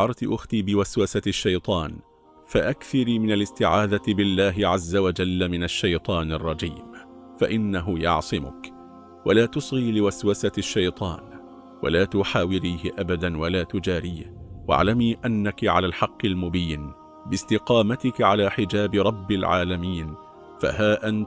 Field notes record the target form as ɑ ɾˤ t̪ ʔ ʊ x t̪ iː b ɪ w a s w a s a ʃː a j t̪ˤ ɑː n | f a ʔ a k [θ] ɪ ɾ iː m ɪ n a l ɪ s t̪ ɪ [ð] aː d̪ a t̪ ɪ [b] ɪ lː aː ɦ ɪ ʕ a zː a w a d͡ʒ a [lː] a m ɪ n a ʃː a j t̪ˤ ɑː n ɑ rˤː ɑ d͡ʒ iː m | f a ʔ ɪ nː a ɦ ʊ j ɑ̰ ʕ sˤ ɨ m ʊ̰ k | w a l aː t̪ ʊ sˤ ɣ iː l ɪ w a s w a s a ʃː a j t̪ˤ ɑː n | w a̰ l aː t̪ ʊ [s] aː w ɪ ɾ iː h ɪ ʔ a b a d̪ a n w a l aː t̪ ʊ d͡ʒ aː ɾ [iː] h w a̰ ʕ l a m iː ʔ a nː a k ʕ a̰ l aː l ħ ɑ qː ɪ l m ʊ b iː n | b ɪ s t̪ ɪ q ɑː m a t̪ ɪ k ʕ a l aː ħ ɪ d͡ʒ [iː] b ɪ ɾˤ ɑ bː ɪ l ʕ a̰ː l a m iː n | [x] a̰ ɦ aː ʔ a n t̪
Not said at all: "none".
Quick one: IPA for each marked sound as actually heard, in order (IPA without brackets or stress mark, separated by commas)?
θ, ʕ, b, lː, ħ, iː, aː, f